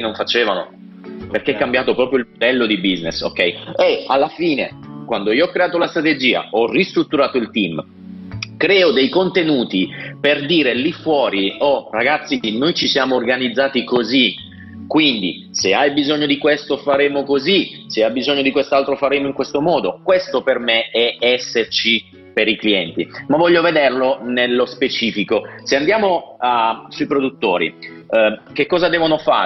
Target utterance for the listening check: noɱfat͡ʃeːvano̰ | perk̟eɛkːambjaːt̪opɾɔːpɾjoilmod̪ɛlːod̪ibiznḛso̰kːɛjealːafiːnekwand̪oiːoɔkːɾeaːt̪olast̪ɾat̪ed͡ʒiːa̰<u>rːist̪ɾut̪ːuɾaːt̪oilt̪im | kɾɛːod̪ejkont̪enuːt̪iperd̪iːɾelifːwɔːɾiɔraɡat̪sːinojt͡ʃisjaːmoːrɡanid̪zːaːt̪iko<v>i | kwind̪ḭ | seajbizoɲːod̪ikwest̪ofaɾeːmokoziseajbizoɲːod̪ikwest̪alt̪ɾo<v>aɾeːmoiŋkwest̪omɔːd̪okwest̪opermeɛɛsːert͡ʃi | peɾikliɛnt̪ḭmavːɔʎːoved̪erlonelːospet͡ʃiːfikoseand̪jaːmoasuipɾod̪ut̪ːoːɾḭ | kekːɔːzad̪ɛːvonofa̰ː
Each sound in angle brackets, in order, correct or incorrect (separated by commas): incorrect, incorrect, incorrect